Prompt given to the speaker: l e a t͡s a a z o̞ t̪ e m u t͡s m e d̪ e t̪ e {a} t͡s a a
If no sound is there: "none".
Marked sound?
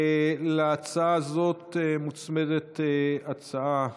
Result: a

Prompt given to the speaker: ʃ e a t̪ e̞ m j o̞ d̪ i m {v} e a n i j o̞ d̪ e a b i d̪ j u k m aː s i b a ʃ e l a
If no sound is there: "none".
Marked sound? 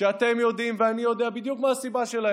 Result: v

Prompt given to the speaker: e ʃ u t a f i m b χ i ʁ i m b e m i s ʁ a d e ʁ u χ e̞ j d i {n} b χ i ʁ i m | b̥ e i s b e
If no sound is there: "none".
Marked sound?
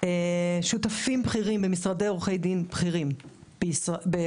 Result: n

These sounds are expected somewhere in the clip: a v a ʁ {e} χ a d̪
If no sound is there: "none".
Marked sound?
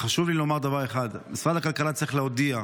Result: e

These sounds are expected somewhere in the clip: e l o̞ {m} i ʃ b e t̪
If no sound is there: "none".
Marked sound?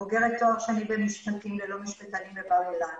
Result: m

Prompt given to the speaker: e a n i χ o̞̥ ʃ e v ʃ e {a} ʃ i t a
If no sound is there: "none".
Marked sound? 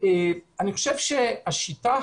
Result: a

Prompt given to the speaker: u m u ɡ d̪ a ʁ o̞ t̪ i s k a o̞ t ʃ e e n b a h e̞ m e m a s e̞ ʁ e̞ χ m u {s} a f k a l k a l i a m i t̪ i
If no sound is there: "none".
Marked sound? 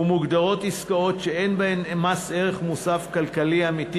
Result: s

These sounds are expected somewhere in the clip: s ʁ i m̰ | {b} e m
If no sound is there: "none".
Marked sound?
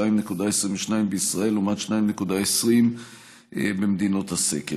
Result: b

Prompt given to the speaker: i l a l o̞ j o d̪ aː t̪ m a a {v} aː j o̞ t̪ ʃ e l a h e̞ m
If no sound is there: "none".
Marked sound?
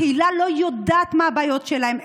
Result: b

